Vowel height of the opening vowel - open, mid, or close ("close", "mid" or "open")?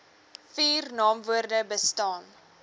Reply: close